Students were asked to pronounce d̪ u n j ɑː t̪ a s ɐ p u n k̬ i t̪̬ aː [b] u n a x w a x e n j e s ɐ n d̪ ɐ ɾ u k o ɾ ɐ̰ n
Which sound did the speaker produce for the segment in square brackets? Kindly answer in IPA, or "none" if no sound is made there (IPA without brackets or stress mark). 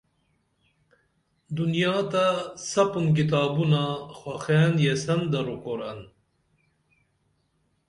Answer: b